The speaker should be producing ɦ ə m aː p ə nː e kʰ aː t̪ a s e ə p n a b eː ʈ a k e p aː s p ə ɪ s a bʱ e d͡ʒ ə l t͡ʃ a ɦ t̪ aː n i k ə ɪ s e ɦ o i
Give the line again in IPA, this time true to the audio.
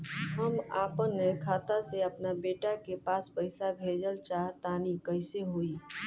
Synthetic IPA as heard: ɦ ə m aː p ə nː e kʰ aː t̪ a s e ə p n a b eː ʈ a k e p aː s p ə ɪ s a bʱ e d͡ʒ ə l t͡ʃ a ɦ t̪ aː n i k ə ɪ s e ɦ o i